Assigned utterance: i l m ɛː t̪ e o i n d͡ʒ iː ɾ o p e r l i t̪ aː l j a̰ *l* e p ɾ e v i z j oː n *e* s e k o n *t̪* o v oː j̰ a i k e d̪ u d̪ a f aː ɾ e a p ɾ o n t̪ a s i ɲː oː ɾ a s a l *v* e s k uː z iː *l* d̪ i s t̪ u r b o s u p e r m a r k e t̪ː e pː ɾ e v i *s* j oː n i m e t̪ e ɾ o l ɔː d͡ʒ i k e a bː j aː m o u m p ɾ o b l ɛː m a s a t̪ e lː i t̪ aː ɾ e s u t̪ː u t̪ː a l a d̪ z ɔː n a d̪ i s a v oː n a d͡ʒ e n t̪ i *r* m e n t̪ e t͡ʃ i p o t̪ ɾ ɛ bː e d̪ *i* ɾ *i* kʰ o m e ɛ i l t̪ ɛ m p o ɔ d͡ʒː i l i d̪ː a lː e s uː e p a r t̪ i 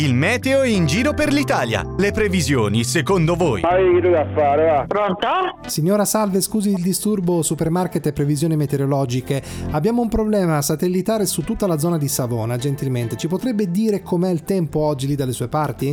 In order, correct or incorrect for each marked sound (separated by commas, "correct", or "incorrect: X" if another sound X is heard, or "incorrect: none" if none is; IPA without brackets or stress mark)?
correct, incorrect: i, incorrect: d̪, correct, correct, incorrect: z, incorrect: l, incorrect: iː, incorrect: e